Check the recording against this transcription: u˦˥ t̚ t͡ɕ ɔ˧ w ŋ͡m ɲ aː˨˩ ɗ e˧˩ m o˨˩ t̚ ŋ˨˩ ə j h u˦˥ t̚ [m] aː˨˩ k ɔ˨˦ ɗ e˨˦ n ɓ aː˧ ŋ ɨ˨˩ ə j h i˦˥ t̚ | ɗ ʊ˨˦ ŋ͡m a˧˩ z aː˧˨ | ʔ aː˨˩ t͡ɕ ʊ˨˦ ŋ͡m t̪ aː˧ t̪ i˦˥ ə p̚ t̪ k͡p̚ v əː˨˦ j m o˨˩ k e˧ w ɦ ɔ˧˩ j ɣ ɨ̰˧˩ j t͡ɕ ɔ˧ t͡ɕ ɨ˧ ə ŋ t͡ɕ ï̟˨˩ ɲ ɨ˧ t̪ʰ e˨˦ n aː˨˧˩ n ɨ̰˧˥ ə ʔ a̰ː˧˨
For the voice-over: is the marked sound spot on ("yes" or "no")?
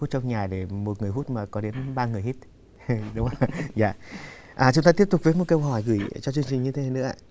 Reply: yes